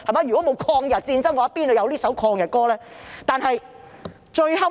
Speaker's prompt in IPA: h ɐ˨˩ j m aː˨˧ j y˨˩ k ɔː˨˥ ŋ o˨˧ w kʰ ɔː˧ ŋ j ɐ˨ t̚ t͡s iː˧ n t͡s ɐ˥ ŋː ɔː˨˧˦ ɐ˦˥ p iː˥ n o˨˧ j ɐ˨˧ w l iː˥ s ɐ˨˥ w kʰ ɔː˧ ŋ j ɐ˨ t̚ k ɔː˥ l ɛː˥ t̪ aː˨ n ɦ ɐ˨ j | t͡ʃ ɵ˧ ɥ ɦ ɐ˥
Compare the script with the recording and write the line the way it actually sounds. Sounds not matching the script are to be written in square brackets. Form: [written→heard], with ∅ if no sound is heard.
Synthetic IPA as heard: h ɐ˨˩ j m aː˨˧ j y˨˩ k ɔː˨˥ [ŋ→m] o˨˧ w kʰ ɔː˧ ŋ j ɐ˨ t̚ t͡s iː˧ n t͡s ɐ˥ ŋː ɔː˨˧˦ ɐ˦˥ p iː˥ n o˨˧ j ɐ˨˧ w l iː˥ s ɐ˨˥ w kʰ ɔː˧ ŋ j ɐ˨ t̚ k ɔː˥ l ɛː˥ t̪ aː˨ n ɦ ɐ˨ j | t͡ʃ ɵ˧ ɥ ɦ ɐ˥